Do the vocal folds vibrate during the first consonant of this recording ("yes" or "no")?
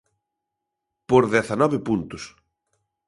no